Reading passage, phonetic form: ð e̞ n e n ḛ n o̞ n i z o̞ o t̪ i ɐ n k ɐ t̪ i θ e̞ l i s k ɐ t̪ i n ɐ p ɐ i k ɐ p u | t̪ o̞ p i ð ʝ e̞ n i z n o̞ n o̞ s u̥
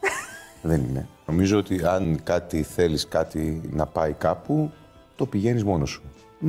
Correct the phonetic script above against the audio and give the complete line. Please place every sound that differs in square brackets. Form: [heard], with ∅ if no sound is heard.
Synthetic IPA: ð e̞ n [i] n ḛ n o̞ [m] i z o̞ o t̪ i ɐ n k ɐ t̪ i θ e̞ l i s k ɐ t̪ i n ɐ p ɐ i k ɐ p u | t̪ o̞ p i [∅] ʝ e̞ n i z [m] o̞ n o̞ s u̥